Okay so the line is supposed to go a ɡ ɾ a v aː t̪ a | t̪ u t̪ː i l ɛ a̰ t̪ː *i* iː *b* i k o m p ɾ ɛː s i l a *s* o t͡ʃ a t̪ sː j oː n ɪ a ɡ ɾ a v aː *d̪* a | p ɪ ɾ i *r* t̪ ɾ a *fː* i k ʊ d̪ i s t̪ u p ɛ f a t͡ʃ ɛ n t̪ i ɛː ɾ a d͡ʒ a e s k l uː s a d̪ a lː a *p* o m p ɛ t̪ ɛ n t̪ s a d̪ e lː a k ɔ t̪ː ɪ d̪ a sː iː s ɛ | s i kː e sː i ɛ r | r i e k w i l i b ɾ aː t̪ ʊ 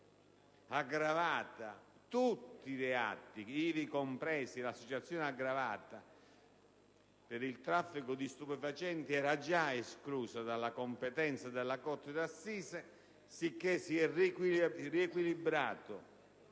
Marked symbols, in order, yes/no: yes, no, no, no, no, yes, no

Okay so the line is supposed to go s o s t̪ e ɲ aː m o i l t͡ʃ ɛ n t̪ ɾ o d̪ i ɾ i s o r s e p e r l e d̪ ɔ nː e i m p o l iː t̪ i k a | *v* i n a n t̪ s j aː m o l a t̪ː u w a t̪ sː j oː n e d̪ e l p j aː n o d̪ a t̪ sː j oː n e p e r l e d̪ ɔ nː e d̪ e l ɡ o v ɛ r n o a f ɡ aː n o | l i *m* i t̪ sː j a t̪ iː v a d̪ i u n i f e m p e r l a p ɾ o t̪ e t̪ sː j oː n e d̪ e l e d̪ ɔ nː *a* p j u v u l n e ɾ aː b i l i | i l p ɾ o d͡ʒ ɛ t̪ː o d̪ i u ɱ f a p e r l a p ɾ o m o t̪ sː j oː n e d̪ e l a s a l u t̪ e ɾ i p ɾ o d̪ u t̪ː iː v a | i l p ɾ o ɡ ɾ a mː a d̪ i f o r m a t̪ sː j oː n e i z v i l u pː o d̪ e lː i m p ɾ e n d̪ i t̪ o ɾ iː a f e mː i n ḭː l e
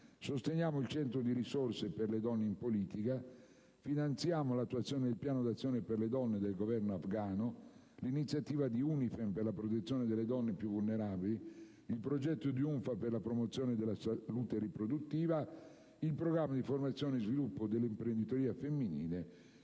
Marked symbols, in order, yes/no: no, no, no

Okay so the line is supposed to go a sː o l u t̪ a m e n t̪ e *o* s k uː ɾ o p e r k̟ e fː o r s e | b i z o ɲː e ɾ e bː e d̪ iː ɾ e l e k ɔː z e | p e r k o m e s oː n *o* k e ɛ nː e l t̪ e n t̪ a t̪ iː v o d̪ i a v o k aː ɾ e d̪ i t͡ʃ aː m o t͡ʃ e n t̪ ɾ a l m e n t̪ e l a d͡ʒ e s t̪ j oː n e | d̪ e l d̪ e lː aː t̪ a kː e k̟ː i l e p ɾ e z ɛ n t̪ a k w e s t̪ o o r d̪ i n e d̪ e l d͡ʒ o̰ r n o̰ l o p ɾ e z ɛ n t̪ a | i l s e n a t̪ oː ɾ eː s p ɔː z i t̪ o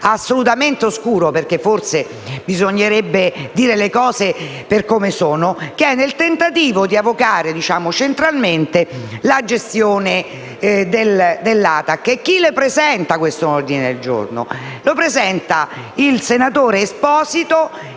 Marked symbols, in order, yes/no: yes, yes

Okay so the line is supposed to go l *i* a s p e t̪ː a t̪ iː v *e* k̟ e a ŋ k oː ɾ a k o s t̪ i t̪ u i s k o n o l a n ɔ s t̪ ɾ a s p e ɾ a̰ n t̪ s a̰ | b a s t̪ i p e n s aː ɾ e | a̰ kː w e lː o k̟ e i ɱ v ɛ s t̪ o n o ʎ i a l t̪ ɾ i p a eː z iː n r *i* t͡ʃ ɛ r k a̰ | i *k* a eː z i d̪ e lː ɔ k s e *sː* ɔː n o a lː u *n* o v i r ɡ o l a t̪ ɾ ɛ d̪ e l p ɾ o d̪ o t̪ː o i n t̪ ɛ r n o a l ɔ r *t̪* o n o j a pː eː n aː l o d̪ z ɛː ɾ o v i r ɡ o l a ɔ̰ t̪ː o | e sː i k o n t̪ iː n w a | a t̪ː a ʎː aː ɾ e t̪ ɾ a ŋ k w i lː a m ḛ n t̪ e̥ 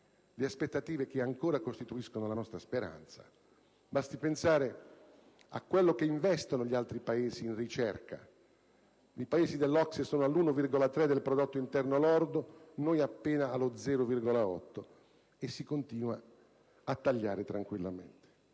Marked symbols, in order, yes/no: no, yes, yes, no, no, yes, no

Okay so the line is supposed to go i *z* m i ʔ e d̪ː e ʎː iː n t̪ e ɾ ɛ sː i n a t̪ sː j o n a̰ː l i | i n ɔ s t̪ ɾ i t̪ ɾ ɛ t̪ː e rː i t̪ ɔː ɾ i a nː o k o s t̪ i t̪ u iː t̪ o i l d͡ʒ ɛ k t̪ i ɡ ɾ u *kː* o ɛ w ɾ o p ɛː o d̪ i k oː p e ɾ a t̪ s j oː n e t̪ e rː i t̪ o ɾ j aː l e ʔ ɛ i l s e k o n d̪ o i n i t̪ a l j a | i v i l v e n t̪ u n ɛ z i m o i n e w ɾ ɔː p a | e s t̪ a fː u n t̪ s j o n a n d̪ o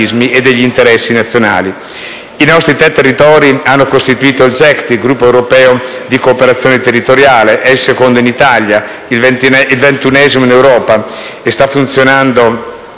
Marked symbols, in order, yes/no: yes, no

